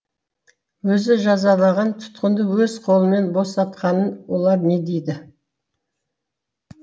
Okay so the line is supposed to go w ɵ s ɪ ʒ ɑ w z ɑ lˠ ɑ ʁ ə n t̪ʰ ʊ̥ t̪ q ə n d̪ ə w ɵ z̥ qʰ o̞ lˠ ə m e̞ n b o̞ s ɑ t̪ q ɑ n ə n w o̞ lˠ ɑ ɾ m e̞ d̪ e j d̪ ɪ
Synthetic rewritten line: w ɵ z ɪ ʒ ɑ z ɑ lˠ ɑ ʁ ɑ n t̪ʰ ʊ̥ t̪ q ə n d̪ ə w ɵ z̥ qʰ o̞ lˠ ə m e̞ n b o̞ s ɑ t̪ q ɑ n ə n w o̞ lˠ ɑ ɾ n e̞ d̪ e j d̪ ɪ